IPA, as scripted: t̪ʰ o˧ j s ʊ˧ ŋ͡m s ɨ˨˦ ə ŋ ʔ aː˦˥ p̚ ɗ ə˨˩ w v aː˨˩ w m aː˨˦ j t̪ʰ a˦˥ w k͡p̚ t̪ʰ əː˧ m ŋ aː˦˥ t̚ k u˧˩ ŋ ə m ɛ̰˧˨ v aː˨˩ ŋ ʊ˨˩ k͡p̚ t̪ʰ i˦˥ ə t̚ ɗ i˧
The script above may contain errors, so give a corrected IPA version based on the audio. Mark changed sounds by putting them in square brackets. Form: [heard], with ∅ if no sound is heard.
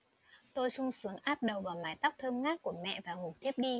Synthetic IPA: [t̪] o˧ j s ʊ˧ ŋ͡m s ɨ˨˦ ə ŋ ʔ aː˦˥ p̚ ɗ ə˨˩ w v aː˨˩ w m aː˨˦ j [t̪] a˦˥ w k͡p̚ t̪ʰ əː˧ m ŋ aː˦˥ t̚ k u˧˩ [∅] ə m ɛ̰˧˨ v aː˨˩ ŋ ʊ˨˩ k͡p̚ t̪ʰ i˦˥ ə [p̚] ɗ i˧